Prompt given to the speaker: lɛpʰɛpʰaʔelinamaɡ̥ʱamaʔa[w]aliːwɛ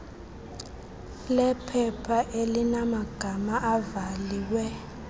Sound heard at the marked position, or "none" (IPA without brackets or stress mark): v